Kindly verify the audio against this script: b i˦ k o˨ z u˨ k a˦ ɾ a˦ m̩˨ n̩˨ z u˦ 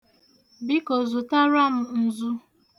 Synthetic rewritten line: b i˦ k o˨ z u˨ t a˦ ɾ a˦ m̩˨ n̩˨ z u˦